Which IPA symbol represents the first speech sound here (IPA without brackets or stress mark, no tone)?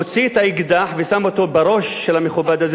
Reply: t͡s